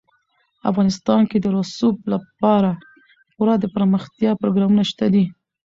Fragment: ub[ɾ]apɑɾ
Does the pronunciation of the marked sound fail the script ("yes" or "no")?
yes